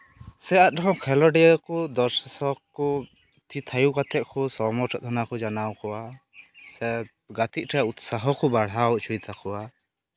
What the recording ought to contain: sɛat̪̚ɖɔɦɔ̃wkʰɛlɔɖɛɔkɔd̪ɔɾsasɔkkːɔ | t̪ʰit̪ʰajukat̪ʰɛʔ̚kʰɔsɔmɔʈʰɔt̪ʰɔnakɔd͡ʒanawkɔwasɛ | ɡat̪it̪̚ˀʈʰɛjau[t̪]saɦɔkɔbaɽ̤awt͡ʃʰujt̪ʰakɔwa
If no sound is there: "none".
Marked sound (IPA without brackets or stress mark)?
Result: t̪